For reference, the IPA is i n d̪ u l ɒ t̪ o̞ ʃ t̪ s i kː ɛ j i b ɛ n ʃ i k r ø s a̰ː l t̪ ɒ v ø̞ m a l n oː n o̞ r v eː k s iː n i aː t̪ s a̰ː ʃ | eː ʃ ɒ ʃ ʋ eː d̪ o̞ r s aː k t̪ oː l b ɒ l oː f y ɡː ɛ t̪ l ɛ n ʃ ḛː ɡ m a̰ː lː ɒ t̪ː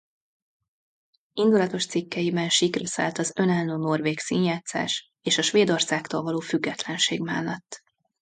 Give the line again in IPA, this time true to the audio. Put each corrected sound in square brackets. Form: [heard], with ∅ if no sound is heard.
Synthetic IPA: i n d̪ u l ɒ t̪ o̞ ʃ t̪ s i kː ɛ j i b ɛ n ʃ i k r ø s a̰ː l t̪ ɒ [z] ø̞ [n] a l n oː n o̞ r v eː k s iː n [j] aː t̪ s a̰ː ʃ | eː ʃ ɒ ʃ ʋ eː d̪ o̞ r s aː k t̪ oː l [v] ɒ l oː f y ɡː ɛ t̪ l ɛ n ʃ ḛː ɡ m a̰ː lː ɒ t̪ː

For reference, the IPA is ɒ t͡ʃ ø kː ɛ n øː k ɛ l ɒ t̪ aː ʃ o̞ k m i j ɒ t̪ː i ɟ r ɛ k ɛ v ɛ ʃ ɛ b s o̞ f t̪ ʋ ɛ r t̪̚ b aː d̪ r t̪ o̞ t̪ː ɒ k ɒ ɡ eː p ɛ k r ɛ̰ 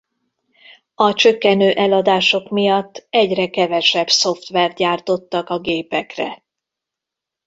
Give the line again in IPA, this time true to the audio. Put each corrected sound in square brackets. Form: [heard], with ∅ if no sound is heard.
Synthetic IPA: ɒ t͡ʃ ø kː ɛ n øː [ʔ] ɛ l ɒ [d̪] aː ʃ o̞ k m i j ɒ t̪ː [ɛ] ɟ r ɛ k ɛ v ɛ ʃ ɛ b s o̞ f t̪ ʋ ɛ r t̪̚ [ɟ] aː [∅] r t̪ o̞ t̪ː ɒ k ɒ ɡ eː p ɛ k r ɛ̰

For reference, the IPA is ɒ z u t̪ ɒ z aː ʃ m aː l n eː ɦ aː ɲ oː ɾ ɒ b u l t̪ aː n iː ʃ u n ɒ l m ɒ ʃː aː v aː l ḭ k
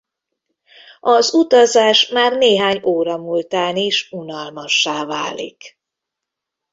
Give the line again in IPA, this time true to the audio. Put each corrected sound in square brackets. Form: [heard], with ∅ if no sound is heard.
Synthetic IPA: ɒ z u t̪ ɒ z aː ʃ m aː [r] n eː ɦ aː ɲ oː ɾ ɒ [m] u l t̪ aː n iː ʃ u n ɒ l m ɒ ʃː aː v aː l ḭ k

